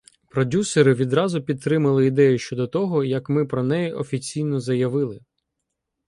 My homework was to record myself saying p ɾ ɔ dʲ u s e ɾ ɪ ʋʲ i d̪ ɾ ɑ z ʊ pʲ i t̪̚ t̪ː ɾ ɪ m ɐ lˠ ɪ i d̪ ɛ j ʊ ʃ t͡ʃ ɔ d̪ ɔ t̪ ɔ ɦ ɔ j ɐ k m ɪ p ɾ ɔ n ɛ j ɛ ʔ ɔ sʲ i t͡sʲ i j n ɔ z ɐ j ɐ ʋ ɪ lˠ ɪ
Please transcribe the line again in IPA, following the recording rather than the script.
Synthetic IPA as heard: p ɾ ɔ dʲ u s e ɾ ɪ ʋʲ i d̪ ɾ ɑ z ʊ pʲ i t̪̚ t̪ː ɾ ɪ m ɐ lˠ ɪ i d̪ ɛ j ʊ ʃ t͡ʃ ɔ d̪ ɔ t̪ ɔ ɦ ɔ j ɐ k m ɪ p ɾ ɔ n ɛ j ɛ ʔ ɔ fʲ i t͡sʲ i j n ɔ z ɐ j ɐ ʋ ɪ lˠ ɪ